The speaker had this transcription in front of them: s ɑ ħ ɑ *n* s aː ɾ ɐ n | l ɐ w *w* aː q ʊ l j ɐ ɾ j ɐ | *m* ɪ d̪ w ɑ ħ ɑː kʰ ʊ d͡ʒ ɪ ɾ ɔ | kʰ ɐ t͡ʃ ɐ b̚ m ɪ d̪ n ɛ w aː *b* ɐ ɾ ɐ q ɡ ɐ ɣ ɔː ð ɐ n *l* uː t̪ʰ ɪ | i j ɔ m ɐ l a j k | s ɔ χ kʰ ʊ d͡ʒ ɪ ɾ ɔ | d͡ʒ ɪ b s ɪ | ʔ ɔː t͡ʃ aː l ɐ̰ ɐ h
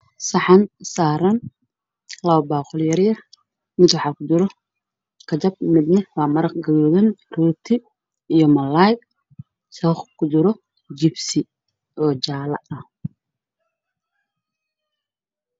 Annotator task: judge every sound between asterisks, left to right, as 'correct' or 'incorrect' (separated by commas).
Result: correct, incorrect, correct, incorrect, incorrect